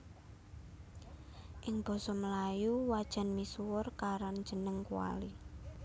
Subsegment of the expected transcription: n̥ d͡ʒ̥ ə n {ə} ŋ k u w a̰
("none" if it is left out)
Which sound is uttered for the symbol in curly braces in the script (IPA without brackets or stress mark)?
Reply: ə